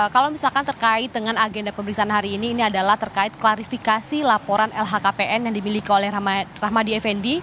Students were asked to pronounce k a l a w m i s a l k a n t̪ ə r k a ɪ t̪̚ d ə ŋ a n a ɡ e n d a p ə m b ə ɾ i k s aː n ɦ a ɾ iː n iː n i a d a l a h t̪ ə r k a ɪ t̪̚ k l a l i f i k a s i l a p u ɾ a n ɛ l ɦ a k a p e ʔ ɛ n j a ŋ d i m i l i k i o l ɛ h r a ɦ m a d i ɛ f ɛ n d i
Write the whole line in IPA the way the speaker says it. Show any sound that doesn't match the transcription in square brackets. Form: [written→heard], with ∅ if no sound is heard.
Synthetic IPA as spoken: k a l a w m i s a l k a n t̪ ə r k a ɪ t̪̚ d ə ŋ a n a ɡ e n d a p ə m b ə ɾ i k s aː n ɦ a ɾ iː n iː n i a d a l a h t̪ ə r k a ɪ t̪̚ k l a [l→ɾ] i f i k a s i l a p [u→o] ɾ a n ɛ l ɦ a k a p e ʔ ɛ n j a ŋ d i m i l i k i o l ɛ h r a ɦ m a d i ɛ f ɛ n d i

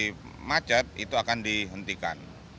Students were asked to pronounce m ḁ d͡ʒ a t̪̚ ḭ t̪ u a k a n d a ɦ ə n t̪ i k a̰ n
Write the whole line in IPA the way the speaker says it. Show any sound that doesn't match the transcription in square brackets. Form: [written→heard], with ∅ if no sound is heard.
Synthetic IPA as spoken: m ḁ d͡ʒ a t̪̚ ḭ t̪ u a k a n d [a→i] ɦ ə n t̪ i k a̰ n

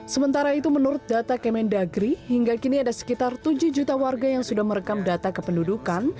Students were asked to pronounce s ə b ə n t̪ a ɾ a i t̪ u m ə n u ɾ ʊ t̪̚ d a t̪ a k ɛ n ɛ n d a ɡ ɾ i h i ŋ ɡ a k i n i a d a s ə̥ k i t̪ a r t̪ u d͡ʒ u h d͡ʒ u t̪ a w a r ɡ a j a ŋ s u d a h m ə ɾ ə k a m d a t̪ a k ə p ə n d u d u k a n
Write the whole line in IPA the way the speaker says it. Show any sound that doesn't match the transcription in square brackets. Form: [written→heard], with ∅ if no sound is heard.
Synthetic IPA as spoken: s ə [b→m] ə n t̪ a ɾ a i t̪ u m ə n u ɾ ʊ t̪̚ d a t̪ a k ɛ [n→m] ɛ n d a ɡ ɾ i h i ŋ ɡ a k i n i a d a s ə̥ k i t̪ a r t̪ u d͡ʒ u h d͡ʒ u t̪ a w a r ɡ a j a ŋ s u d a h m ə ɾ ə k a m d a t̪ a k ə p ə n d u d u k a n

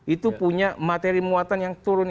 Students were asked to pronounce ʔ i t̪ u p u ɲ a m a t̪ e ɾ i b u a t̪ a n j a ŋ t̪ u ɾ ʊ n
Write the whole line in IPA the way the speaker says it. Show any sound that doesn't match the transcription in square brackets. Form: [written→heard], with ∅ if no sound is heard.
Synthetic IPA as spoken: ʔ i t̪ u p u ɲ a m a t̪ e ɾ i [b→m] u a t̪ a n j a ŋ t̪ u ɾ ʊ n

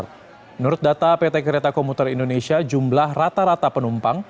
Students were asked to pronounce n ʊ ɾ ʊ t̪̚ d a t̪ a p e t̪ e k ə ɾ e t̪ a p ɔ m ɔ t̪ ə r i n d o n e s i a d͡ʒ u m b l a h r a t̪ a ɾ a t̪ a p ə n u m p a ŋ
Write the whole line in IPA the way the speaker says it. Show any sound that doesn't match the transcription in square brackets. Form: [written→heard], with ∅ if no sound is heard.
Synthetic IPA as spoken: n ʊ ɾ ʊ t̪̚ d a t̪ a p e t̪ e k ə ɾ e t̪ a [p→k] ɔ m [ɔ→u] t̪ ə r i n d o n e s i a d͡ʒ u m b l a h r a t̪ a ɾ a t̪ a p ə n u m p a ŋ

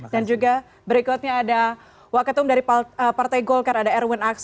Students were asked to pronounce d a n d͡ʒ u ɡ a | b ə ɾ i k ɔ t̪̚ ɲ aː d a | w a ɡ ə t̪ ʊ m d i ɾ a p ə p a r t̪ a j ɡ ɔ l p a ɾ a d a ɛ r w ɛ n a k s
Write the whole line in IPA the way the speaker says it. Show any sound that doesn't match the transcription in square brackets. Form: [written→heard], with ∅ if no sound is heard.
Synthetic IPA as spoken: d a n d͡ʒ u ɡ a | b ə ɾ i k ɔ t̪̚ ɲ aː d a | w a [ɡ→k] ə t̪ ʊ m d [i→a] ɾ [a→i] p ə p a r t̪ a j ɡ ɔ l [p→k] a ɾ a d a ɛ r w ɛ n a k s

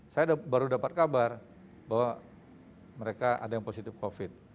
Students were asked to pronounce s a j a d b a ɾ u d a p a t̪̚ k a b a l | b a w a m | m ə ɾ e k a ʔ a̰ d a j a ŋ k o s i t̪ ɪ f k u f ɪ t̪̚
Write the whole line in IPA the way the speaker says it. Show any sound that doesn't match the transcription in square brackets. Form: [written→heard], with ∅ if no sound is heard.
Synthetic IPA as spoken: s a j a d b a ɾ u d a p a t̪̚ k a b a [l→r] | b a w a [m→∅] | m ə ɾ e k a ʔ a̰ d a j a ŋ [k→p] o s i t̪ ɪ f k [u→o] f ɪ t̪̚

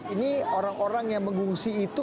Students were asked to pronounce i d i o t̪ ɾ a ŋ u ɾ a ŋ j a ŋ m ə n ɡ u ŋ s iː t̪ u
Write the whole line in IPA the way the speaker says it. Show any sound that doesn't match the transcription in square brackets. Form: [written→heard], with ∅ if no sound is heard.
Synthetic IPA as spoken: i [d→n] i o [t̪→∅] ɾ a ŋ [u→o] ɾ a ŋ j a ŋ m ə [n→ŋ] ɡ u ŋ s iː t̪ u

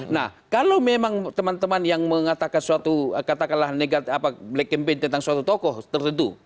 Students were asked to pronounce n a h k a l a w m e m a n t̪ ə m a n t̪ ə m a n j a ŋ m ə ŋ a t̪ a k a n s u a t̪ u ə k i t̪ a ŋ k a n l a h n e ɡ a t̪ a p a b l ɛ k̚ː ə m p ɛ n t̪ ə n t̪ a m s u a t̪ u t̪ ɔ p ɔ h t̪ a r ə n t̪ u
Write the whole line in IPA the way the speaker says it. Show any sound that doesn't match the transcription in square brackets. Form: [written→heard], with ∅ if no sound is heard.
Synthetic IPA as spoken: n a h k a l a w m e m a [n→ŋ] t̪ ə m a n t̪ ə m a n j a ŋ m ə ŋ a t̪ a k a n s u a t̪ u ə k [i→a] t̪ a [ŋ→∅] k a n l a h n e ɡ a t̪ a p a b l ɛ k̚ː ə m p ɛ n t̪ ə n t̪ a [m→ŋ] s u a t̪ u t̪ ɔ [p→k] ɔ h t̪ [a→ə] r ə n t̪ u

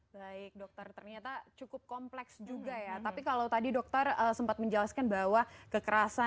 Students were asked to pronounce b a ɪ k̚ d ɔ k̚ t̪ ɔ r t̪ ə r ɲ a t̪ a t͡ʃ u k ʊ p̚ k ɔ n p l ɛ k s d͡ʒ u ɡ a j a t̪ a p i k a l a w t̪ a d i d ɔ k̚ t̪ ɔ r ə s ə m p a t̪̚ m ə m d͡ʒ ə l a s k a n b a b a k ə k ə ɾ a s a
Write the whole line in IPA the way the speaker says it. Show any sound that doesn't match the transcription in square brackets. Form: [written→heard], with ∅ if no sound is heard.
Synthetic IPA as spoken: b a ɪ k̚ d ɔ k̚ t̪ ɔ r t̪ ə r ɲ a t̪ a t͡ʃ u k ʊ p̚ k ɔ [n→m] p l ɛ k s d͡ʒ u ɡ a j a t̪ a p i k a l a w t̪ a d i d ɔ k̚ t̪ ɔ r ə s ə m p a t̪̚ m ə [m→ɲ] d͡ʒ ə l a s k a n b a [b→w] a k ə k ə ɾ a s a

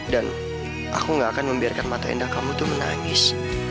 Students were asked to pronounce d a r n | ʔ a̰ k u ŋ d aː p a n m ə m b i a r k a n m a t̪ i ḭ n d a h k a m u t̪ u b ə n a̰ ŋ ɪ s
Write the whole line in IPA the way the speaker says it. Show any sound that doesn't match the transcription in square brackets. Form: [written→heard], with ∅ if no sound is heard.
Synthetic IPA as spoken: d a [r→∅] n | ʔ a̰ k u ŋ [d→ɡ] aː [p→k] a n m ə m b i a r k a n m a t̪ [i→a] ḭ n d a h k a m u t̪ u [b→m] ə n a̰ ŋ ɪ s

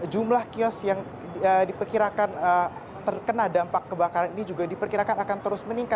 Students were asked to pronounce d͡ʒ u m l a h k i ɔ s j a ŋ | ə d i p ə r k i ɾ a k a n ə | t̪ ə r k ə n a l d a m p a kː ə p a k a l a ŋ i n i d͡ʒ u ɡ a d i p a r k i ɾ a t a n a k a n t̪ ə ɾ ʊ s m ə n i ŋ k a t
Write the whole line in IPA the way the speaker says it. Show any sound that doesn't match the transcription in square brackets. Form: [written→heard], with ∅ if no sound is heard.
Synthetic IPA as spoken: d͡ʒ u m l a h k i ɔ s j a ŋ | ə d i p ə r k i ɾ a k a n ə | t̪ ə r k ə n a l d a m p a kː ə [p→b] a k a [l→ɾ] a [ŋ→n] i n i d͡ʒ u ɡ a d i p [a→ə] r k i ɾ a [t→k] a n a k a n t̪ ə ɾ ʊ s m ə n i ŋ k a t

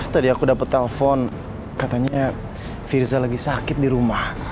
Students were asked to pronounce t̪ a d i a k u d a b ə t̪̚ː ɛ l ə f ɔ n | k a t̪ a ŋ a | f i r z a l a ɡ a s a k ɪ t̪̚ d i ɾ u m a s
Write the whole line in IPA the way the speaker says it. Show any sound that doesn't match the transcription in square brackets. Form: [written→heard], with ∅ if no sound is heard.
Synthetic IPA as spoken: t̪ a d i a k u d a [b→p] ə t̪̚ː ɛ l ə f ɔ n | k a t̪ a [ŋ→ɲ] a | f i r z a l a ɡ [a→i] s a k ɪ t̪̚ d i ɾ u m a [s→h]

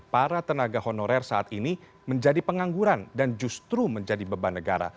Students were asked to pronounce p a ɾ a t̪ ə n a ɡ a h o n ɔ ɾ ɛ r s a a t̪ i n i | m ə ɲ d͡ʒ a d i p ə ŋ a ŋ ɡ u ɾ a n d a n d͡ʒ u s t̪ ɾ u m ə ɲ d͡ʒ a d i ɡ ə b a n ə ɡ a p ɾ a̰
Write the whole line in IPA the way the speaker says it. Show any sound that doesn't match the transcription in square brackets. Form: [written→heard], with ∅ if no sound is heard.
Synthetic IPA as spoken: p a ɾ a t̪ ə n a ɡ a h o n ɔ ɾ ɛ r s a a t̪ i n i | m ə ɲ d͡ʒ a d i p ə ŋ a ŋ ɡ u ɾ a n d a n d͡ʒ u s t̪ ɾ u m ə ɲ d͡ʒ a d i [ɡ→b] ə b a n ə ɡ a [p→∅] ɾ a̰

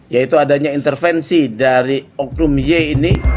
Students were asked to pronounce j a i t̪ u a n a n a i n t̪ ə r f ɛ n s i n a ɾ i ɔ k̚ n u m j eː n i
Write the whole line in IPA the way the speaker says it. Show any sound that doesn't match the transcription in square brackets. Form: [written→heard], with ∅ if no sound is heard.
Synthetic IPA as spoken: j a i t̪ u a [n→d] a [n→ɲ] a i n t̪ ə r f ɛ n s i [n→d] a ɾ i ɔ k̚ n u m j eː n i

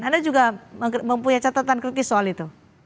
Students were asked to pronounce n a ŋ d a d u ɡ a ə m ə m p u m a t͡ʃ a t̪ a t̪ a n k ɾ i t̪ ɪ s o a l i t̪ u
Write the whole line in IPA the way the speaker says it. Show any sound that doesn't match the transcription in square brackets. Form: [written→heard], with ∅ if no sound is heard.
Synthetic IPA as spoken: n a [ŋ→n] d a [d→d͡ʒ] u ɡ a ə m ə m p u [m→ɲ] a t͡ʃ a t̪ a t̪ a n k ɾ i t̪ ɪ s o a l i t̪ u

